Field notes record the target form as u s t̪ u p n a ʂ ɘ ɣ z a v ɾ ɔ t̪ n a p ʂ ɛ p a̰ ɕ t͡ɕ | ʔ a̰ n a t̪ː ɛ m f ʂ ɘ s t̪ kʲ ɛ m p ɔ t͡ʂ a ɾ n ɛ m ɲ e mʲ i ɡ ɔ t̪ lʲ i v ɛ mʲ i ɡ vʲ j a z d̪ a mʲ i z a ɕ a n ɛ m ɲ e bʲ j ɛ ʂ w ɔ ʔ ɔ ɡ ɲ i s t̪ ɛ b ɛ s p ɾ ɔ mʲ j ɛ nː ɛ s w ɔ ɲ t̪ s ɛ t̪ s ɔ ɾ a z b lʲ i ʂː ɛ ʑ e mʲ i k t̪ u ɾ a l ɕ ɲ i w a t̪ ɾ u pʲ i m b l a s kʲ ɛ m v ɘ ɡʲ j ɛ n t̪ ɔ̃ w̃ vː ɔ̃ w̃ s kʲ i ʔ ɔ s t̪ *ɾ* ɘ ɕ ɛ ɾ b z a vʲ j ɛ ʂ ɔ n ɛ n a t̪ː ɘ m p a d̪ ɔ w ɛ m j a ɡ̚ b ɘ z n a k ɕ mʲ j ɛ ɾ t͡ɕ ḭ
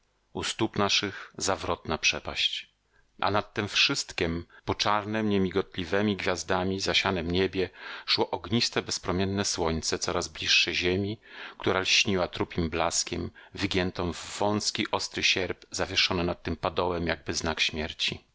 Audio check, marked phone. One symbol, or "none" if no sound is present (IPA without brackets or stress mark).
ɾ